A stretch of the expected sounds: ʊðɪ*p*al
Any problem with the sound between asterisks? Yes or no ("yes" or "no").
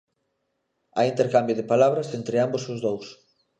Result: no